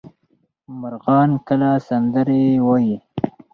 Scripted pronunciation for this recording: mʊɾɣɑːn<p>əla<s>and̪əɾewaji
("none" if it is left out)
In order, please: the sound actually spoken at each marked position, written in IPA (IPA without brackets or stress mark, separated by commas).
k, s